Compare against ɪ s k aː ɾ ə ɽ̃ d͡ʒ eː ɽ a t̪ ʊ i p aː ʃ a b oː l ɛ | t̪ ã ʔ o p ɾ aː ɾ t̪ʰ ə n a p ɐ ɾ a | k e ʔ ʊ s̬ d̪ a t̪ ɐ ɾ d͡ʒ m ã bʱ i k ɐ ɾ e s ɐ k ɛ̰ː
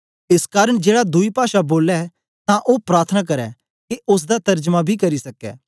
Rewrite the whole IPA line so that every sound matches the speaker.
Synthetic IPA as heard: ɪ s k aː ɾ ə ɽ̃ d͡ʒ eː ɽ a d̪ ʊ i p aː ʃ a b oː l ɛ | t̪ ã ʔ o p ɾ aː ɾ t̪ʰ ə n a k ɐ ɾ ɛ | k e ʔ ʊ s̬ d̪ a t̪ ɐ ɾ d͡ʒ m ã bʱ i k ɐ ɾ i s ɐ k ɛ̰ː